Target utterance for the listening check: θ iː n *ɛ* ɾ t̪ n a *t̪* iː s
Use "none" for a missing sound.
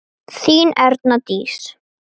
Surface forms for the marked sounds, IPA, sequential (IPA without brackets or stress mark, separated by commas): ɛ, t̪